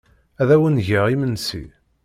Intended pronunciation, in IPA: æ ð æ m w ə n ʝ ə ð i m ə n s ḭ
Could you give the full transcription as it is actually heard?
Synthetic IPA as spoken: æ ð æ w ə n ʝ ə ʁ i m ə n s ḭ

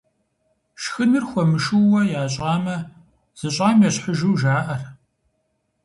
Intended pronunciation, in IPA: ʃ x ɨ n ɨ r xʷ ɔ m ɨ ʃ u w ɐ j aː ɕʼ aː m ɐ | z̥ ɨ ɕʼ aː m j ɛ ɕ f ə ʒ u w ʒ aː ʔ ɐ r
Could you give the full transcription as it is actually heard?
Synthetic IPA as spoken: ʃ x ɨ n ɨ r xʷ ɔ m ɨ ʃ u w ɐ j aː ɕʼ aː m ɐ | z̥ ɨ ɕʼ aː m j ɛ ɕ ħ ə ʒ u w ʒ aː ʔ ɐ r

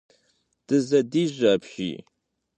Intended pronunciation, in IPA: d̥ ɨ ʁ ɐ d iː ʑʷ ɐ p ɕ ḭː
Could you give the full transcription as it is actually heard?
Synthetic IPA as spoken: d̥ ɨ z ɐ d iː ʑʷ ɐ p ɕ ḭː

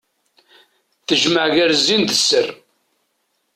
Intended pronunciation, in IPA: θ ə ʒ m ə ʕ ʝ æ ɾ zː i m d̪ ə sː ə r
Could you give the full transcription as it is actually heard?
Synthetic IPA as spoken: θ ə ʒ m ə ʕ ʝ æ ɾ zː i n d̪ ə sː ə r

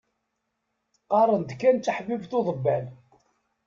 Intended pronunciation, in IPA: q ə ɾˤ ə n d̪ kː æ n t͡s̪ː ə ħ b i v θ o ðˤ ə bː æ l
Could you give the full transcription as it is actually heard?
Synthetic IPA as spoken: q ɑ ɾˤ ə n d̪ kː æ n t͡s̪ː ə ħ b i v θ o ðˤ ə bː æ l

